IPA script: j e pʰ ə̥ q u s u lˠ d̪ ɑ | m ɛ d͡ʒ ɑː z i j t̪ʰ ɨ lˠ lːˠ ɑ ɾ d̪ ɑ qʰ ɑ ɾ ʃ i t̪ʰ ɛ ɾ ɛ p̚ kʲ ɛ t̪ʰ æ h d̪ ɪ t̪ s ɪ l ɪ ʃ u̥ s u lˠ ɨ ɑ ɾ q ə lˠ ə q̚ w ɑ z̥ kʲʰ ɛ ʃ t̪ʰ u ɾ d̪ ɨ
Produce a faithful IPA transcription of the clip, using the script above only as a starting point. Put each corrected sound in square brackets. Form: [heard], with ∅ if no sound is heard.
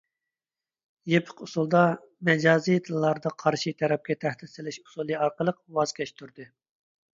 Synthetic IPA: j e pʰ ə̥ q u s u lˠ d̪ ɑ | m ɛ d͡ʒ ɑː z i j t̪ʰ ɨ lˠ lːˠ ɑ ɾ d̪ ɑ qʰ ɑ ɾ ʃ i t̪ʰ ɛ ɾ ɛ p̚ kʲ ɛ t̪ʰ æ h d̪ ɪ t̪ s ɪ l ɪ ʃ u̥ s u lˠ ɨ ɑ ɾ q ə lˠ ə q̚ w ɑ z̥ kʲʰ ɛ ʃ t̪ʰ u ɾ d̪ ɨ